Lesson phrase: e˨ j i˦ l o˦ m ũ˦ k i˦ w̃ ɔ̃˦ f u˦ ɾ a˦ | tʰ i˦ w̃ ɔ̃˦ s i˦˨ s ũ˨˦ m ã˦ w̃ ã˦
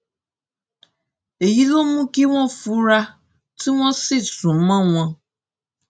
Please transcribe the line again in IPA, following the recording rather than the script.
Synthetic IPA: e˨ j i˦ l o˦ m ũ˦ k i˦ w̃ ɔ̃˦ f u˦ ɾ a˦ | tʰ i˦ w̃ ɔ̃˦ s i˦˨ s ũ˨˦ m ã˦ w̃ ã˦